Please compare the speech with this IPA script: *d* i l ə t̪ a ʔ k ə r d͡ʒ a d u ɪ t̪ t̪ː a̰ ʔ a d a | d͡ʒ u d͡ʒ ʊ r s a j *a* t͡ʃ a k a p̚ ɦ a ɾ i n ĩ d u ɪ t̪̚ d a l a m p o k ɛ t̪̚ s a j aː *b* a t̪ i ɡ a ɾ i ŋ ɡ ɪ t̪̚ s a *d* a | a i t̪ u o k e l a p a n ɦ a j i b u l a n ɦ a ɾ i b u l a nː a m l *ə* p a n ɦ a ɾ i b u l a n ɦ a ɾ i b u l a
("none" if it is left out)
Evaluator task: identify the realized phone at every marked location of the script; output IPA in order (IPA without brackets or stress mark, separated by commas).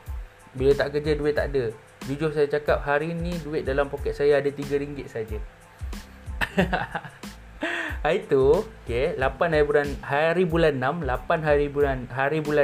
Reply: b, a, d, d͡ʒ, a